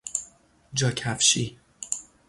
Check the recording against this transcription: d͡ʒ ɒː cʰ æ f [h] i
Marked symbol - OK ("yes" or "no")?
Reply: no